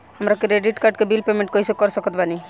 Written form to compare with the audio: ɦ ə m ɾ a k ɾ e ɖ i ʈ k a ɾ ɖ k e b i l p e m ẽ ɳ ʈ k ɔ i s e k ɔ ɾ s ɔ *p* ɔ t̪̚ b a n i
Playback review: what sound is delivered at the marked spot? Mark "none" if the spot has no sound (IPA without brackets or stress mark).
k